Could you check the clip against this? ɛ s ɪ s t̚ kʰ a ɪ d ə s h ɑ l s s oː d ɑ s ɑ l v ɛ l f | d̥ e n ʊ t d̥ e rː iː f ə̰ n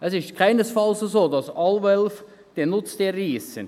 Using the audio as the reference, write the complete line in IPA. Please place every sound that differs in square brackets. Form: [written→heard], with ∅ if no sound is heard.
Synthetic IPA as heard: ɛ s ɪ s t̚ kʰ a ɪ [d→n] ə s [h→f] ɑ l s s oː d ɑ s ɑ l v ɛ l f | d̥ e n ʊ [t→t͡s] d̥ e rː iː [f→s] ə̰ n